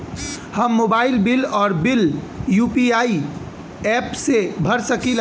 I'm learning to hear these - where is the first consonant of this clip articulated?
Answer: throat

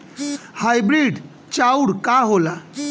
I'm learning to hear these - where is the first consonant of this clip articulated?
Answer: throat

